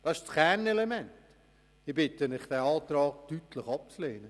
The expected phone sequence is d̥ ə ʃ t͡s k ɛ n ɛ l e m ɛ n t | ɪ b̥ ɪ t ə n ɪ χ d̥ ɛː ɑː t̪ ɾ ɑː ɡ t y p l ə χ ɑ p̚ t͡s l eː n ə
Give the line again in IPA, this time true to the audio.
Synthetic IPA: d̥ ɑ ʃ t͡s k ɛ n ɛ l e m ɛ n t | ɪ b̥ ɪ t ə n ɪ χ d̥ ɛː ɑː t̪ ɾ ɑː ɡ t y t l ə χ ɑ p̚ t͡s l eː n ə